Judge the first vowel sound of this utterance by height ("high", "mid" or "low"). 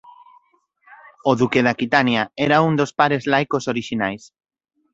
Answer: mid